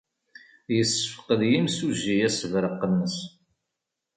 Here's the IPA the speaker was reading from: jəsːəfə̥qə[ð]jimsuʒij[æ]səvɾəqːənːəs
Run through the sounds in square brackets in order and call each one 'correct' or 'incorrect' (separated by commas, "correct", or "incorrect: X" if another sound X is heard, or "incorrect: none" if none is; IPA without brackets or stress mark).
correct, correct